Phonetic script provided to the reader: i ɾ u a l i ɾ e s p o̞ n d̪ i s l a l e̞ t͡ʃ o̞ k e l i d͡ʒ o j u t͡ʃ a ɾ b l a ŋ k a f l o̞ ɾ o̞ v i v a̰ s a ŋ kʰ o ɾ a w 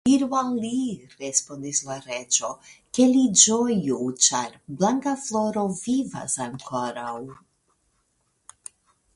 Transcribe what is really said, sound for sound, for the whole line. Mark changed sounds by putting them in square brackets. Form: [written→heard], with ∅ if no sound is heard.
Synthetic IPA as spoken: i ɾ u a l i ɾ e s p o̞ n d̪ i s l a [l→ɾ] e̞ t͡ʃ o̞ k e l i d͡ʒ o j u t͡ʃ a ɾ b l a ŋ k a f l o̞ ɾ o̞ v i v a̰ s a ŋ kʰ o ɾ a w